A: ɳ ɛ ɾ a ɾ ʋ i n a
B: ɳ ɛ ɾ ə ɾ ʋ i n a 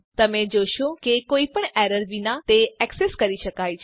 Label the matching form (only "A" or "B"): B